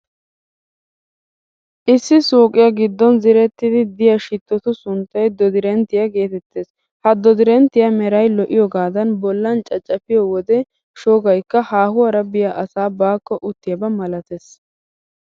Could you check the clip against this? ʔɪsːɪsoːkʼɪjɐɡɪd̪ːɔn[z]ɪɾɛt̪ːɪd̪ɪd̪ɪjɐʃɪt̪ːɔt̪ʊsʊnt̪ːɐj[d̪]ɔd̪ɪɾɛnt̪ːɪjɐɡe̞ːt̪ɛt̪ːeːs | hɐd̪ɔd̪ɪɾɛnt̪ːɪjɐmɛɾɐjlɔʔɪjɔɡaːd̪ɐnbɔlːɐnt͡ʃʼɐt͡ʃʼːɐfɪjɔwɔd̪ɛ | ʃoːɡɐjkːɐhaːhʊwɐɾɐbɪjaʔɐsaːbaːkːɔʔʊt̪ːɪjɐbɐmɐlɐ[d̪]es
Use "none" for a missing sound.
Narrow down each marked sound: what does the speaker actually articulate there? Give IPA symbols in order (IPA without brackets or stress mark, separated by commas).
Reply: z, d̪, t̪